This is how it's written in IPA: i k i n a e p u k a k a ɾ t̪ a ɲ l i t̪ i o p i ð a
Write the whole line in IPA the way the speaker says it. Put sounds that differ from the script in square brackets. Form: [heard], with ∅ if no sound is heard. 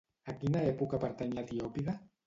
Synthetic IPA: [a] k i n a e p u k a [p] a ɾ t̪ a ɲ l [a] t̪ i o p i ð a